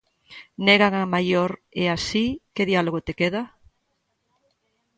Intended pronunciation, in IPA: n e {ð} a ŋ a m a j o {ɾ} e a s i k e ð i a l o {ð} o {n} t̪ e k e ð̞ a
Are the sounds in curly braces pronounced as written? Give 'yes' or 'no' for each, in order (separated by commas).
no, yes, no, no